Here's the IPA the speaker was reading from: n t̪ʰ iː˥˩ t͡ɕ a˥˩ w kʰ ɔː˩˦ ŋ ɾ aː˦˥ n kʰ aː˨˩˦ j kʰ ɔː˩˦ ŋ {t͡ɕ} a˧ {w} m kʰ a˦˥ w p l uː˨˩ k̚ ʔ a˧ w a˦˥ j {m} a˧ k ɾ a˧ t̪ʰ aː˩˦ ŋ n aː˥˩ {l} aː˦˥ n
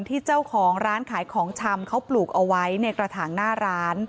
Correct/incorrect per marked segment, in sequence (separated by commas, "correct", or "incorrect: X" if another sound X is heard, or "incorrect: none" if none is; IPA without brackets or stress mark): incorrect: t͡ɕʰ, incorrect: none, incorrect: n, incorrect: ɾ